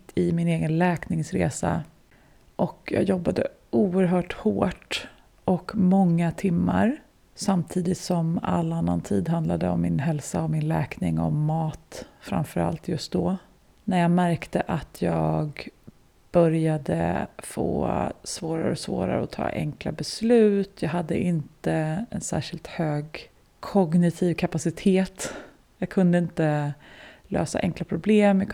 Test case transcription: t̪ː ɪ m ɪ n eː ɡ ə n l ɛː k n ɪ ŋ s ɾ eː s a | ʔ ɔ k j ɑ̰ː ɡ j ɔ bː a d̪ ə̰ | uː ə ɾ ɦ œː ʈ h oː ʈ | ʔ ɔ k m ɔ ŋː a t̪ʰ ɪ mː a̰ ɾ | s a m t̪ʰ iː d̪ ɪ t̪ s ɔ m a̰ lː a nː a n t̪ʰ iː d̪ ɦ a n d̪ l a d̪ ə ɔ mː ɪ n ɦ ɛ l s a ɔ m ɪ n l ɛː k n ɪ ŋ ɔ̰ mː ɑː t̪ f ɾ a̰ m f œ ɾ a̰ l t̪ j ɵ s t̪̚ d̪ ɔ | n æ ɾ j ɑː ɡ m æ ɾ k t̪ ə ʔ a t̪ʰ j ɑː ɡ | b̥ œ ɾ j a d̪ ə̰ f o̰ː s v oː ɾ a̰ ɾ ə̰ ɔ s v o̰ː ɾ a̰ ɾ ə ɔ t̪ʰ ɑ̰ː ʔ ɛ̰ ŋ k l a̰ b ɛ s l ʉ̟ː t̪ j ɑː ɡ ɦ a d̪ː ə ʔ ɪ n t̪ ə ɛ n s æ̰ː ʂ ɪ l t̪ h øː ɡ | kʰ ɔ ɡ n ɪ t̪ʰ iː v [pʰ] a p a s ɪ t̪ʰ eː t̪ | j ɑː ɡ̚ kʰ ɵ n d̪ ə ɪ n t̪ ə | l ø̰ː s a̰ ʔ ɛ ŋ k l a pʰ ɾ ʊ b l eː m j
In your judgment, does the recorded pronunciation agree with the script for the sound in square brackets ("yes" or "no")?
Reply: no